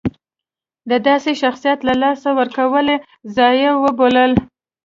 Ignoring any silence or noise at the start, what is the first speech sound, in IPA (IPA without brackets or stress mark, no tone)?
d̪